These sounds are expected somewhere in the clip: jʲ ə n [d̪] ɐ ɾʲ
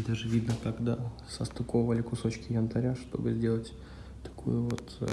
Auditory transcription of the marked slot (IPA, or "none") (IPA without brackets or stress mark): t̪